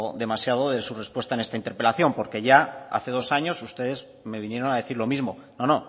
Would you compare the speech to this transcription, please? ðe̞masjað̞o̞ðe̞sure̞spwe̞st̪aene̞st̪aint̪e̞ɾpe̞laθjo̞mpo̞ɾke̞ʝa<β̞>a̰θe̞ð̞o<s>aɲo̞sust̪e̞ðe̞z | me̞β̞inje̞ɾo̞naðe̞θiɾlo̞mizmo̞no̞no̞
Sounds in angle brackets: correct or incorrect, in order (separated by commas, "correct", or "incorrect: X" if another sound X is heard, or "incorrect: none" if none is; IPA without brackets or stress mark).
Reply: incorrect: none, correct